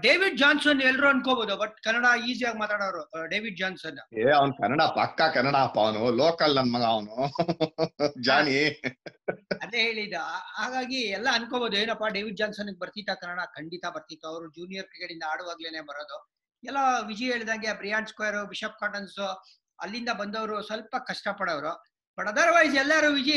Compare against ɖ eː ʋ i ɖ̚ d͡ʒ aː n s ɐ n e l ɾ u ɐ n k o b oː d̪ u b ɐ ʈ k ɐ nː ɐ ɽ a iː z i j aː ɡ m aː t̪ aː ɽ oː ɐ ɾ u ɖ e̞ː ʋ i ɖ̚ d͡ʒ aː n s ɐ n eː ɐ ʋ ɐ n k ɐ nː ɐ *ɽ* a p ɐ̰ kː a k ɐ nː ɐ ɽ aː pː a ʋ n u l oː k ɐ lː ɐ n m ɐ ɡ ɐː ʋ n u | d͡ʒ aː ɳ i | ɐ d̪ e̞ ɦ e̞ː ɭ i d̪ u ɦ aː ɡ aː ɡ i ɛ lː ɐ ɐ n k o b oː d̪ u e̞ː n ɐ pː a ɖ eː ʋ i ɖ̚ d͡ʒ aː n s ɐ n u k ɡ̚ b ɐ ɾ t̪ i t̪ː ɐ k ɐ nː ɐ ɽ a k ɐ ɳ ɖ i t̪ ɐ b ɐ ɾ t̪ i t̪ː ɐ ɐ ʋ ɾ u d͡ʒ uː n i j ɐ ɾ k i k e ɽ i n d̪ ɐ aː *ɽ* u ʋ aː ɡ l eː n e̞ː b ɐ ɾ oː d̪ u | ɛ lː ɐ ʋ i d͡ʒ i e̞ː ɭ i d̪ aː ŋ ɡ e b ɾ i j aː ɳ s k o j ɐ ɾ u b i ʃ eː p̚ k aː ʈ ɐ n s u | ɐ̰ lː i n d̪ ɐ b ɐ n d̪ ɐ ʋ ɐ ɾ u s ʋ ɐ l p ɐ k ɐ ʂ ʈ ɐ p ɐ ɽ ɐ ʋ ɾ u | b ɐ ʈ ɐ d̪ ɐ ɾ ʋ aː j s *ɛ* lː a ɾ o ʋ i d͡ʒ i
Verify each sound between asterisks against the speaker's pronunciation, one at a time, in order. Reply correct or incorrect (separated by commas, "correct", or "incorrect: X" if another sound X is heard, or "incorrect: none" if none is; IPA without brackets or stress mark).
correct, correct, correct